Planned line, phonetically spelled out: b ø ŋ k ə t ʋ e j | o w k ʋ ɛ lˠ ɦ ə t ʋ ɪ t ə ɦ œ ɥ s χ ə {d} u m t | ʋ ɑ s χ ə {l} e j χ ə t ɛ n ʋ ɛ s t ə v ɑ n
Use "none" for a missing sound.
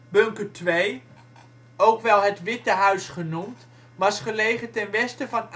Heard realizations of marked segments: n, l

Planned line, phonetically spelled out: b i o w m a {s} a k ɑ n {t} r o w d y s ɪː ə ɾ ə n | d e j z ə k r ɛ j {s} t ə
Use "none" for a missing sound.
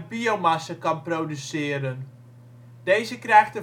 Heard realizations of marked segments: s, p, x

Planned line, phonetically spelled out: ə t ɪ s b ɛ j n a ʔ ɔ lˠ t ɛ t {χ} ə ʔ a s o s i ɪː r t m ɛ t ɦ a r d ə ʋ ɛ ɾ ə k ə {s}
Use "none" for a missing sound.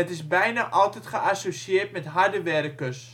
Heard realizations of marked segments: χ, s

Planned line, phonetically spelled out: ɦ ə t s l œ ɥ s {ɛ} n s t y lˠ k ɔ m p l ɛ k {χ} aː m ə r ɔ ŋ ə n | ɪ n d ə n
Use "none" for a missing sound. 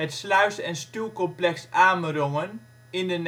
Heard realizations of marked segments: ɛ, s

